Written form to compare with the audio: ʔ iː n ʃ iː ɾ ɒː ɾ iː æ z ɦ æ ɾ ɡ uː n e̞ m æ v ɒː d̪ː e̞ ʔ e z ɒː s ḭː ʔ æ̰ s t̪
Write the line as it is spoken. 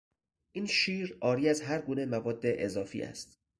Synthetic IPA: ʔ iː n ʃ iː ɾ ɒː ɾ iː æ z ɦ æ ɾ ɡ uː n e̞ m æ v ɒː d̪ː e̞ ʔ e z ɒː f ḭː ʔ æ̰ s t̪